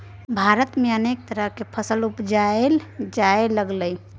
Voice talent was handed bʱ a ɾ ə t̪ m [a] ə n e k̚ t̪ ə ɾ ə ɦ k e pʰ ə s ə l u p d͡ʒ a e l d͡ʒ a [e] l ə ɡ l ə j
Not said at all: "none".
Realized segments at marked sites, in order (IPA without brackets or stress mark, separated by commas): e, e